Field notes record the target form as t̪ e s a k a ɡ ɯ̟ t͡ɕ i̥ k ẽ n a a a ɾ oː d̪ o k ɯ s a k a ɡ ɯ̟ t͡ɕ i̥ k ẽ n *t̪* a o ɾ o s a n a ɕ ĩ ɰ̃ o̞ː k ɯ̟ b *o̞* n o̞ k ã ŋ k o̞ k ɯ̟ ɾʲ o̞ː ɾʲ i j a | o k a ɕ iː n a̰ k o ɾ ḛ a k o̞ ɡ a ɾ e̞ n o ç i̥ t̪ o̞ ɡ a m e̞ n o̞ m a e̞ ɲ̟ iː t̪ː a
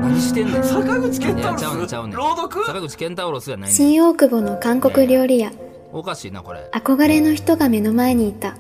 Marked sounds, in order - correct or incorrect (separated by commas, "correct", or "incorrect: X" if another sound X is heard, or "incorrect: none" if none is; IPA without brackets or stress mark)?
correct, correct